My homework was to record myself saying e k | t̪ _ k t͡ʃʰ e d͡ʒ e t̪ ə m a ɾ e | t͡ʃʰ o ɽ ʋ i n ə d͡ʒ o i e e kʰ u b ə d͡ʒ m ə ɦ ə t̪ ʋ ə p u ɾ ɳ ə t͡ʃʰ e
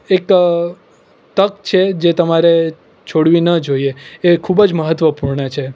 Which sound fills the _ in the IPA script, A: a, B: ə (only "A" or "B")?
B